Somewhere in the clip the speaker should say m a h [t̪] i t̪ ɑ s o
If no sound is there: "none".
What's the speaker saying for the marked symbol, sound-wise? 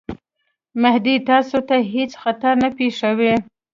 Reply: d̪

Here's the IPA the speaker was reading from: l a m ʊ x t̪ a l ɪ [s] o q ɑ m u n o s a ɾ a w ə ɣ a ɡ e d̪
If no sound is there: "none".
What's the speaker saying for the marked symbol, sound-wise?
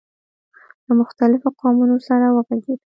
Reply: f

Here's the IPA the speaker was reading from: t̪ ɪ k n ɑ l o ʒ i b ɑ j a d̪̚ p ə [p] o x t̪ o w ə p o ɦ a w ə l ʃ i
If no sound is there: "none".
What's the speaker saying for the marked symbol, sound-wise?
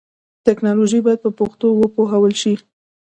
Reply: p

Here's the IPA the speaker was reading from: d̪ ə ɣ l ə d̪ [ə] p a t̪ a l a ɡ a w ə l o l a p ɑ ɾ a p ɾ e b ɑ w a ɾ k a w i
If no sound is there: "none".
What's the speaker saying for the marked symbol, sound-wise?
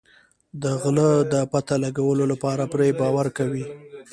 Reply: ə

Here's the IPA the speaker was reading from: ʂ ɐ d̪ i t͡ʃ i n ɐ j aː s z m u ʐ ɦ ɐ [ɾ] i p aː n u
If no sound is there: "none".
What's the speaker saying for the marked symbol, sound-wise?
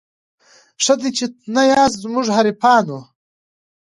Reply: ɾ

